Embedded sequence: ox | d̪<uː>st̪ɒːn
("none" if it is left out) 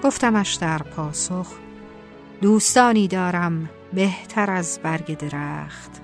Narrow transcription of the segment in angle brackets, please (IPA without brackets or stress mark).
uː